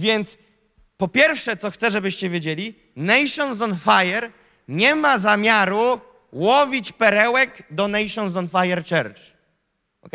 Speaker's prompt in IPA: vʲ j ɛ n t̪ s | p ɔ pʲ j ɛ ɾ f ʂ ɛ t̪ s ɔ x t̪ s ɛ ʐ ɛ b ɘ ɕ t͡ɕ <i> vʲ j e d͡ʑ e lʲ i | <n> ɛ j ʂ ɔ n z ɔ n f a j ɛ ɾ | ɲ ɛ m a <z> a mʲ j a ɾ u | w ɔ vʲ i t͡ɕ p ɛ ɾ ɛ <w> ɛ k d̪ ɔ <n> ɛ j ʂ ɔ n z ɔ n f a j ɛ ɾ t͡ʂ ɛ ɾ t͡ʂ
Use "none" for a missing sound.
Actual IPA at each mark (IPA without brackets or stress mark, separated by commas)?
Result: ɛ, n, z, w, n